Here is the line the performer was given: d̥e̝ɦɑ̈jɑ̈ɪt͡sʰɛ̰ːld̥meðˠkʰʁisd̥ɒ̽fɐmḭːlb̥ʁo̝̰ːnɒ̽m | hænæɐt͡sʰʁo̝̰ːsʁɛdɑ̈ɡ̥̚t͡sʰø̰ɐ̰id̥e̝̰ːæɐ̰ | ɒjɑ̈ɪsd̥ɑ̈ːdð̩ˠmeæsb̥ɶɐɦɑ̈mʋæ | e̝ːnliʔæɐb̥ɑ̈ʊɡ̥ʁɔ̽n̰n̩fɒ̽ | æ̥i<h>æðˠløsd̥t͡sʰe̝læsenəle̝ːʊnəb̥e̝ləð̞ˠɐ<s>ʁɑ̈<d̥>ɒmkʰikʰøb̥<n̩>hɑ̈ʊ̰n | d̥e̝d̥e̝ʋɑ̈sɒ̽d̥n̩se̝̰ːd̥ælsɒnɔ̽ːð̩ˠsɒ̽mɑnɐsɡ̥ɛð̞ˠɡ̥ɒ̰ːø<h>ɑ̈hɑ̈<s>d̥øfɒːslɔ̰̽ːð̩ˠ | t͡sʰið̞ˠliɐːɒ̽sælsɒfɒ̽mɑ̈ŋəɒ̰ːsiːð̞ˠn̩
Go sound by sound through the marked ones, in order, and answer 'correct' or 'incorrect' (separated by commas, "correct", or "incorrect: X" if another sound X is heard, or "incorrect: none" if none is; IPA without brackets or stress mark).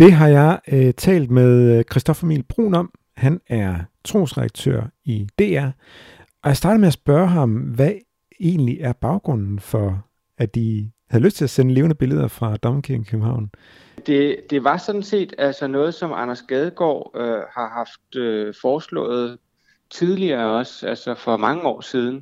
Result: correct, incorrect: f, correct, incorrect: m̩, correct, incorrect: f